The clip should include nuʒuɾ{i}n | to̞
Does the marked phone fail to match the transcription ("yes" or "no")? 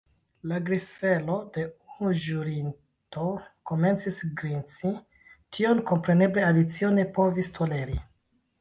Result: no